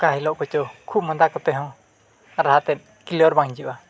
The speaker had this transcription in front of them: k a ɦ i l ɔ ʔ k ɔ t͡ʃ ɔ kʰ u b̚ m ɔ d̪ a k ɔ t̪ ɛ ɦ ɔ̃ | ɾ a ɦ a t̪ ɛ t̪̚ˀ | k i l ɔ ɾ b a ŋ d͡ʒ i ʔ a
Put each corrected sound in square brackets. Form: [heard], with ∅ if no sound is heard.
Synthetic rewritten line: k a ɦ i l ɔ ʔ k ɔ t͡ʃ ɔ kʰ u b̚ m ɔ d̪ a k ɔ t̪ ɛ ɦ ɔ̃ | ɾ a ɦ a t̪ ɛ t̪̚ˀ | k i l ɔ ɾ b a ŋ d͡ʒ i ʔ a